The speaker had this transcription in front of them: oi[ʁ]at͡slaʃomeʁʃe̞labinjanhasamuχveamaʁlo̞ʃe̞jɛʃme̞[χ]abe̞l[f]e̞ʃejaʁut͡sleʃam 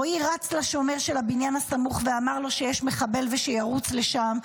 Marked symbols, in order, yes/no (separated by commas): yes, yes, no